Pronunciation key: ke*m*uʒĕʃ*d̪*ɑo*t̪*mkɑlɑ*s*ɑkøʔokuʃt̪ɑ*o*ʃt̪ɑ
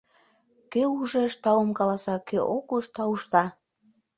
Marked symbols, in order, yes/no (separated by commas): no, no, no, yes, no